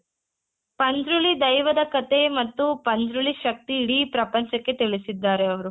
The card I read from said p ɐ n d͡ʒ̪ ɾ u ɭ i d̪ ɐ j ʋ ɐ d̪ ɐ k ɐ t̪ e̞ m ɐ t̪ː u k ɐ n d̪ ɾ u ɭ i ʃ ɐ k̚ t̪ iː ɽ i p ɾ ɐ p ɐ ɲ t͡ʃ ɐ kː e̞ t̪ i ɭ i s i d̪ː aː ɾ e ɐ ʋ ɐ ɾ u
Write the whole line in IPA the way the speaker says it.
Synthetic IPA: p ɐ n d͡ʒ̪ ɾ u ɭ i d̪ ɐ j ʋ ɐ d̪ ɐ k ɐ t̪ e̞ m ɐ t̪ː u p ɐ n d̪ ɾ u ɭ i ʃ ɐ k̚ t̪ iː ɽ i p ɾ ɐ p ɐ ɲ t͡ʃ ɐ kː e̞ t̪ i ɭ i s i d̪ː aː ɾ e ɐ ʋ ɐ ɾ u